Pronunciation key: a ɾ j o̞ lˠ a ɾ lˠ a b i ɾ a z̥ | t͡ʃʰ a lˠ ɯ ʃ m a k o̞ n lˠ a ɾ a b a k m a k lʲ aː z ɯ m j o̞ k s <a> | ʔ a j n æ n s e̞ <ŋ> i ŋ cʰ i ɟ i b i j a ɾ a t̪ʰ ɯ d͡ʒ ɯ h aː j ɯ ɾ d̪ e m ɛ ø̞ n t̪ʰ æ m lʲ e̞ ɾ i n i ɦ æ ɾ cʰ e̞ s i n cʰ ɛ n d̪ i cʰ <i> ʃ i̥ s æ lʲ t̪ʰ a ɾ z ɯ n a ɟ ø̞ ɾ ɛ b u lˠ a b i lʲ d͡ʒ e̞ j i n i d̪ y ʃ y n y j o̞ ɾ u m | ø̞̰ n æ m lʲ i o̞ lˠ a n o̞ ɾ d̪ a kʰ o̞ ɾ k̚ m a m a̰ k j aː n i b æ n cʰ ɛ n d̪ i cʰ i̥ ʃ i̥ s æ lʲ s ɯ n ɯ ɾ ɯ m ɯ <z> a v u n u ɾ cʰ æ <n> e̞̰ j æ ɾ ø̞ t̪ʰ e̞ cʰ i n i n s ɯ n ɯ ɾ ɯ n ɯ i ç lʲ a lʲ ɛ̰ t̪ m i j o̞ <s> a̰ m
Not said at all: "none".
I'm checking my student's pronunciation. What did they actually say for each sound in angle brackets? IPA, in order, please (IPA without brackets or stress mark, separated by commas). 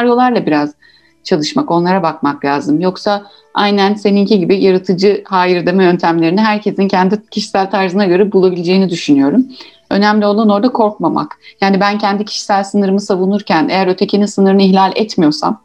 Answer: a, n, i, s, n, s